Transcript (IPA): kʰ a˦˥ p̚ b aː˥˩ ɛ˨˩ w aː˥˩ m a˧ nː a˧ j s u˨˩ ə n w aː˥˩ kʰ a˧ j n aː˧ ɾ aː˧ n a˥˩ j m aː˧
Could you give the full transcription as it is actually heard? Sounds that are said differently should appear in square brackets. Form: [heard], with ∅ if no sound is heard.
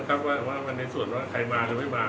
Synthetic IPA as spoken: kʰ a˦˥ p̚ [w] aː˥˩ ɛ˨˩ w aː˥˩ m a˧ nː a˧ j s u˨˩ ə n w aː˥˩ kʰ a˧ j [m] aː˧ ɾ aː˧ [m] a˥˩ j m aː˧